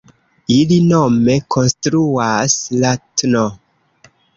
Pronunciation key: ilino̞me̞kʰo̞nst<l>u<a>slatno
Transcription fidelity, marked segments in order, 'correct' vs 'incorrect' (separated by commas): incorrect, correct